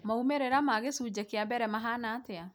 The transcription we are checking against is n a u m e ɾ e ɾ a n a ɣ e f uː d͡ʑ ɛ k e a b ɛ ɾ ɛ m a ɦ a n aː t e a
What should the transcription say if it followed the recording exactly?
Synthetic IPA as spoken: m a u m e ɾ e ɾ a m a ɣ e s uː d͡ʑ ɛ k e a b ɛ ɾ ɛ m a ɦ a n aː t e a